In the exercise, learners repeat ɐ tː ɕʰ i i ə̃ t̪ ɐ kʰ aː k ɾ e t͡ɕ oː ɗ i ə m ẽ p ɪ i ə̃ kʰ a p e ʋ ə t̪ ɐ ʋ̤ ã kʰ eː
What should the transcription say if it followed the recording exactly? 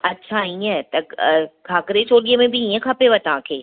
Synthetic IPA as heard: ɐ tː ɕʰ a i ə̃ t̪ ɐ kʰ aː k ɾ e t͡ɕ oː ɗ i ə m ẽ b ɪ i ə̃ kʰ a p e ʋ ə t̪ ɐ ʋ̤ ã kʰ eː